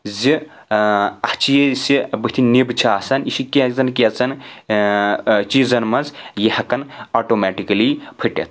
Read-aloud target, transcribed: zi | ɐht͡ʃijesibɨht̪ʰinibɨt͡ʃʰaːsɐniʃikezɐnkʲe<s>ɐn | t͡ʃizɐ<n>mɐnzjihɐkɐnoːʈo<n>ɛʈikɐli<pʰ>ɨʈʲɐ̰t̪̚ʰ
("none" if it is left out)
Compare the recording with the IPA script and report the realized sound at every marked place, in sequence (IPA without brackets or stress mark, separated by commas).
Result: t͡s, n, m, pʰ